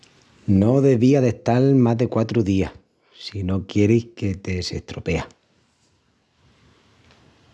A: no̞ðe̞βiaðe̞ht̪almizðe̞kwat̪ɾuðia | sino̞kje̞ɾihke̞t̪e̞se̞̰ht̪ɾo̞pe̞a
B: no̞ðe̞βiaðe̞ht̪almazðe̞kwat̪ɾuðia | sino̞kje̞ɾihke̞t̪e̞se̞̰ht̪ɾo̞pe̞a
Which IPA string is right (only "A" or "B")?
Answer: B